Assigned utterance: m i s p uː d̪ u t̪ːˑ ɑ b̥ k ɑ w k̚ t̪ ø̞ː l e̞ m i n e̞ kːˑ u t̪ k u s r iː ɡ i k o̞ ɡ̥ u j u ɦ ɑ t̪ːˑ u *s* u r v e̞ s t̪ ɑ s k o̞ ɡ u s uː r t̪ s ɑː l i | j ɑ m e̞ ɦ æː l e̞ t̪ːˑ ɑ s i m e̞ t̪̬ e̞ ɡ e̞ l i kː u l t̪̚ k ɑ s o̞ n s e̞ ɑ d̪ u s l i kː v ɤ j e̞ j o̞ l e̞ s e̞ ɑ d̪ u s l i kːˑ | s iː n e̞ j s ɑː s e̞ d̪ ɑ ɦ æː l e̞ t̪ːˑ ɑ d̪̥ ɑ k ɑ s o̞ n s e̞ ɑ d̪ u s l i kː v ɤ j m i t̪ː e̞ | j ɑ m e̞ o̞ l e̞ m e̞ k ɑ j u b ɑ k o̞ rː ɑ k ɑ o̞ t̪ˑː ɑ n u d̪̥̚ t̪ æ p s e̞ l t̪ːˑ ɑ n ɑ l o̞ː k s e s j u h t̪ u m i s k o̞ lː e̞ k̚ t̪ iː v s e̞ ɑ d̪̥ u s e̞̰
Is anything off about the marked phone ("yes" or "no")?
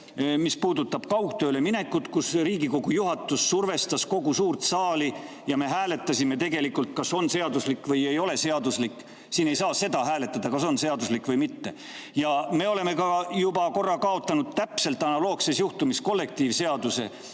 yes